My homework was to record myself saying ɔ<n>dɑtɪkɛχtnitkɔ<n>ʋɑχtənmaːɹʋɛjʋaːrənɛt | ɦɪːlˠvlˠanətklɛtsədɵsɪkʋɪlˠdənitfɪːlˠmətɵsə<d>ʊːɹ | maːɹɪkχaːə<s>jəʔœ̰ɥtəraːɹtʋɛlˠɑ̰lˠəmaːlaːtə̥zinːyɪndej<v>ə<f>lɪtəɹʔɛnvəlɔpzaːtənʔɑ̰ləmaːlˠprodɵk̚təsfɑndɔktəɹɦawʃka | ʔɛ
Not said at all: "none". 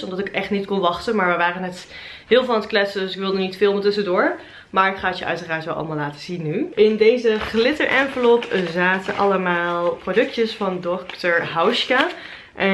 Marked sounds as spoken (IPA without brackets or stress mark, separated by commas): m, n, d, t, z, χ